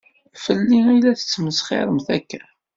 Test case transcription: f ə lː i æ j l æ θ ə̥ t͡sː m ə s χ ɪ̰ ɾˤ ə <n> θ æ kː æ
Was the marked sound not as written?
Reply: yes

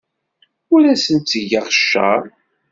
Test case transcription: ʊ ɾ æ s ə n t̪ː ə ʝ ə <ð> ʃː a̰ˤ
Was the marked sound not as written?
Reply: yes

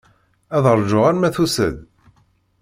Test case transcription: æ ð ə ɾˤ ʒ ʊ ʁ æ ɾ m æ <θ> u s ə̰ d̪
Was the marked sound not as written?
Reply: no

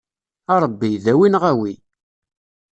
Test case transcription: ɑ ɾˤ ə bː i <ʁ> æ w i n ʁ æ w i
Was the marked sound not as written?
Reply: yes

